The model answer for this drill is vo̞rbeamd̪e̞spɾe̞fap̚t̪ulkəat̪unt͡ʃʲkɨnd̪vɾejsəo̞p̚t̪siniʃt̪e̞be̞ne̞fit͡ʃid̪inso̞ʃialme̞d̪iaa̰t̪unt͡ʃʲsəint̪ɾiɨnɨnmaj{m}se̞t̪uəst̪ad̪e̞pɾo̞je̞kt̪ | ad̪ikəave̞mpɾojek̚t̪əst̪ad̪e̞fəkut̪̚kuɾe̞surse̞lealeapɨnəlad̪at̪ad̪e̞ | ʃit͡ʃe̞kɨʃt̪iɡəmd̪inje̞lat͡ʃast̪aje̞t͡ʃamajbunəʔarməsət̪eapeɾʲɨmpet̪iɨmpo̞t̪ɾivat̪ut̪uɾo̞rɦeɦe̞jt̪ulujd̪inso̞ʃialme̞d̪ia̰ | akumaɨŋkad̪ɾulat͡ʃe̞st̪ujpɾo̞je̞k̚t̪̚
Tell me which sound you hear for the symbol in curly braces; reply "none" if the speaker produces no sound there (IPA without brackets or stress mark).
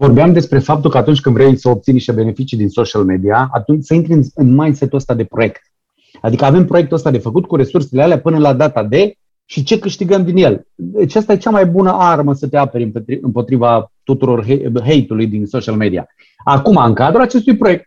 n